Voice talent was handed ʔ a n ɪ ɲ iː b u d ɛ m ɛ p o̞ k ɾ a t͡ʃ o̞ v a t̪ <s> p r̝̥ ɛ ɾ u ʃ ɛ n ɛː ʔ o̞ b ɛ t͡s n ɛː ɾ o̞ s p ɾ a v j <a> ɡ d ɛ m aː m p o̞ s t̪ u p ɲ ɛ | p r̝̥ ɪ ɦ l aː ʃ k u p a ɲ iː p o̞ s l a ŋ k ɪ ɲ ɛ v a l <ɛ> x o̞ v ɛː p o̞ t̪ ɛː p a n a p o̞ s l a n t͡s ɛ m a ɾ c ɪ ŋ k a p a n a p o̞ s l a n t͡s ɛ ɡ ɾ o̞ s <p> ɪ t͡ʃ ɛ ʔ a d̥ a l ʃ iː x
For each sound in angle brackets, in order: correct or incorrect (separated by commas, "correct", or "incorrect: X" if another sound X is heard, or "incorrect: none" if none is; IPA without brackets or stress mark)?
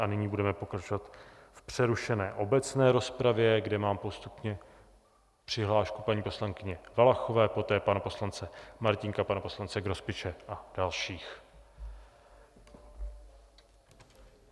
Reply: incorrect: f, incorrect: ɛ, incorrect: a, correct